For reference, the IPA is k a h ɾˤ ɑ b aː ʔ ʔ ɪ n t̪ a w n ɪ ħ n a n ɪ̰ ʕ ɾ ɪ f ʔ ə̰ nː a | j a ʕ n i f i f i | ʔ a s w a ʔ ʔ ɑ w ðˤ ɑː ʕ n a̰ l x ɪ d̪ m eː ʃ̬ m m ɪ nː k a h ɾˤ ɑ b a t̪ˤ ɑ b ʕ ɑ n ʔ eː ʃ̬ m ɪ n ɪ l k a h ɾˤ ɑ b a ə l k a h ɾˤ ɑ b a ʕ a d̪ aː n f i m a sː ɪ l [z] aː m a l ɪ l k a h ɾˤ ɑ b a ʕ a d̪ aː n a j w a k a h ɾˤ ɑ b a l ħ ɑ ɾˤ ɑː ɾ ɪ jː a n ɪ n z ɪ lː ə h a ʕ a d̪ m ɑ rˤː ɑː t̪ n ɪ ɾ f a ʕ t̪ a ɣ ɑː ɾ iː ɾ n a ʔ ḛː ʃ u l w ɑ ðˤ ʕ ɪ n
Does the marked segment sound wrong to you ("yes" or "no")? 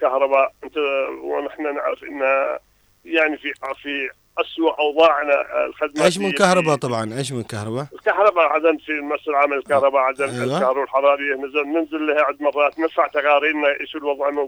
yes